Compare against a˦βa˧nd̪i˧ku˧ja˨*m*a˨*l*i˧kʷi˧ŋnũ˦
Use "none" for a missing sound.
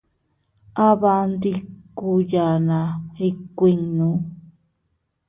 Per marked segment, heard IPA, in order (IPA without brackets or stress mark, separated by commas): n, ɾ